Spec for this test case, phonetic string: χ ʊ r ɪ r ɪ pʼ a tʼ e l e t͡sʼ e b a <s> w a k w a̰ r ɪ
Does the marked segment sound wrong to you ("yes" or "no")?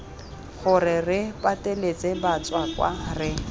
yes